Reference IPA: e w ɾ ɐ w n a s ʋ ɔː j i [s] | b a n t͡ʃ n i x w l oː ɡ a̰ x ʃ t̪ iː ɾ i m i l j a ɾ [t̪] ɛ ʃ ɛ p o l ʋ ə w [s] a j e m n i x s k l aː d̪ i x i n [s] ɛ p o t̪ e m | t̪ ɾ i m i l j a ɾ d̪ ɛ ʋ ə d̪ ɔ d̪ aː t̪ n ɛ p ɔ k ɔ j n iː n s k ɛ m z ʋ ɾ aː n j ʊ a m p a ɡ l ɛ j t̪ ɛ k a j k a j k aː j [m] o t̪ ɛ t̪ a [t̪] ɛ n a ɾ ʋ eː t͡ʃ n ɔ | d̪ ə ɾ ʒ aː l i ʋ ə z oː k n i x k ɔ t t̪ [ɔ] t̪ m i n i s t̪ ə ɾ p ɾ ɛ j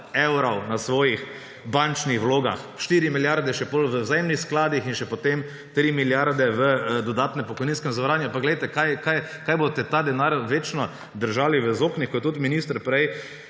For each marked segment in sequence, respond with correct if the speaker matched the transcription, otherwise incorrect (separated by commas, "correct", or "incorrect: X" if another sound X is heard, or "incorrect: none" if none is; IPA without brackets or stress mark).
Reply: incorrect: x, incorrect: d̪, incorrect: z, incorrect: ʃ, incorrect: b, incorrect: d̪, incorrect: u